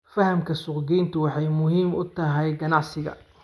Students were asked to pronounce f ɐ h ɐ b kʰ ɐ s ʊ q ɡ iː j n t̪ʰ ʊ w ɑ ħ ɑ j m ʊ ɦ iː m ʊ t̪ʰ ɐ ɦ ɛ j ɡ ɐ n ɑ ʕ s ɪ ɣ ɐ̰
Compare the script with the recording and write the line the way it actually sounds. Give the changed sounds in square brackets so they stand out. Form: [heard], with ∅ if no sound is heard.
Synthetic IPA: f ɐ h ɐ [m] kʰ ɐ s ʊ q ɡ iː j n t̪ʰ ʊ w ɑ ħ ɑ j m ʊ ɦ iː m ʊ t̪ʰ ɐ ɦ ɛ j ɡ ɐ n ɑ ʕ s ɪ ɣ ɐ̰